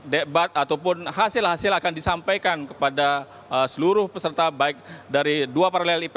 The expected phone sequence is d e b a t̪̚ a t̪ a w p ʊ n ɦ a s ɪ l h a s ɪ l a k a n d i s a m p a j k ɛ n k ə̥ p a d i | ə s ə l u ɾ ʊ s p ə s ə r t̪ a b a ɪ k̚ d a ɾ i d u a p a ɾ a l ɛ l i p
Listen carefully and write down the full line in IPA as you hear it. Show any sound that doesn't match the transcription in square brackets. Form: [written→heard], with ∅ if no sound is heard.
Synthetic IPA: d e b a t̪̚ a t̪ a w p ʊ n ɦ a s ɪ l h a s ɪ l a k a n d i s a m p a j k [ɛ→a] n k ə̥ p a d [i→a] | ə s ə l u ɾ ʊ [s→h] p ə s ə r t̪ a b a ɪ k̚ d a ɾ i d u a p a ɾ a l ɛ l i p